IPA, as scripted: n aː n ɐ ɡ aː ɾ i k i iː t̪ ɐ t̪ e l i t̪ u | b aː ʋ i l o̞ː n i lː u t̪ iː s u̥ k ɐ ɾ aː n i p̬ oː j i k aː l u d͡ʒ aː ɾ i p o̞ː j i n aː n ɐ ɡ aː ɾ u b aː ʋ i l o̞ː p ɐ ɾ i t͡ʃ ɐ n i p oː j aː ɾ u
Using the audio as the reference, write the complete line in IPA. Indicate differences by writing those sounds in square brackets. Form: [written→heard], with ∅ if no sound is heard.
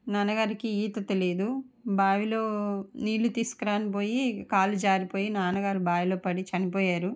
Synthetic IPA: n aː n ɐ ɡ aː ɾ i k i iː t̪ ɐ t̪ e l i [t̪→d̪] u | b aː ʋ i l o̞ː n [i→iː] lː u t̪ iː s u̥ k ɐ ɾ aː n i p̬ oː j i k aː l u d͡ʒ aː ɾ i p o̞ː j i n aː n ɐ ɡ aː ɾ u b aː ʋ i l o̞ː p ɐ [ɾ→ɽ] i t͡ʃ ɐ n i p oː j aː ɾ u